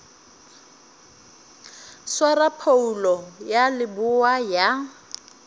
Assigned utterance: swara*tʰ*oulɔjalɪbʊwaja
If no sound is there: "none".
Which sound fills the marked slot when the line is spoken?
pʰ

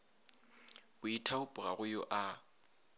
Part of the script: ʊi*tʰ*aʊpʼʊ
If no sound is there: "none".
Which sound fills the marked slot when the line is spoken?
tʰ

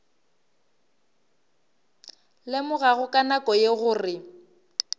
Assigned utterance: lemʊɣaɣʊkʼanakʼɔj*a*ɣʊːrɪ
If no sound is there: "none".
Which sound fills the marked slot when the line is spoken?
e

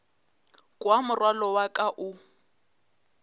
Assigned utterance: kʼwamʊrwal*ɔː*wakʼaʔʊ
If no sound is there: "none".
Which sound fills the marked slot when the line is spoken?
ɔ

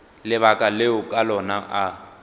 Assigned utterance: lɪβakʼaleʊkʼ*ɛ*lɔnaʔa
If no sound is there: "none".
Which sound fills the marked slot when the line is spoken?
a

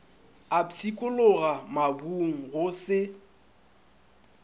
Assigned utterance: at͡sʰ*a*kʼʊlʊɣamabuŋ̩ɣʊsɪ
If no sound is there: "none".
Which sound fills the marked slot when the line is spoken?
i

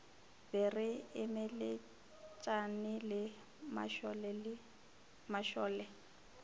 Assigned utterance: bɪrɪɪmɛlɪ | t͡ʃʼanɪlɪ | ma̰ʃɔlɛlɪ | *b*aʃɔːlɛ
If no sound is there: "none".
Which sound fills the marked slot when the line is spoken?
m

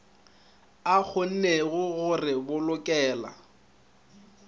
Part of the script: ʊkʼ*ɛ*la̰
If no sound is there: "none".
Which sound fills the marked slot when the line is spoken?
ɛː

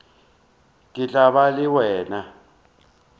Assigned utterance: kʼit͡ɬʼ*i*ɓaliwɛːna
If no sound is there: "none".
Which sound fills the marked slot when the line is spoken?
a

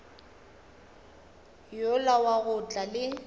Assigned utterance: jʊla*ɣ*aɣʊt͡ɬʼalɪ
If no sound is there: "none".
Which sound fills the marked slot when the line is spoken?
w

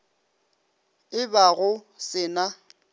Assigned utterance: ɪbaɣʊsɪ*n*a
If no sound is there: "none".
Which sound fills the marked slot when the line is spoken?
n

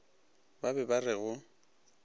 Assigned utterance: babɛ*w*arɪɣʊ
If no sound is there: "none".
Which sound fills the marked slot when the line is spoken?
b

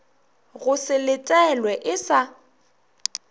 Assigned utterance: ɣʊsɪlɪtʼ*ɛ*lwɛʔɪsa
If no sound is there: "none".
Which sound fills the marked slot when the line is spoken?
ɛ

